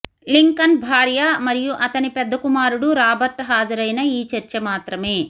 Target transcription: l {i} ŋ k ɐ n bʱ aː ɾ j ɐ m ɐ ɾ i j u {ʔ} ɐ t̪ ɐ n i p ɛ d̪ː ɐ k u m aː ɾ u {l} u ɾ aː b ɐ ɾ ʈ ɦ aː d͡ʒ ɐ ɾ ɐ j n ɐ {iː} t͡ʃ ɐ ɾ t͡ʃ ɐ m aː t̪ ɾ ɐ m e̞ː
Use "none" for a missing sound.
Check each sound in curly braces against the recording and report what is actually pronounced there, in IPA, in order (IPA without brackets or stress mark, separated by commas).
i, ʔ, ɽ, iː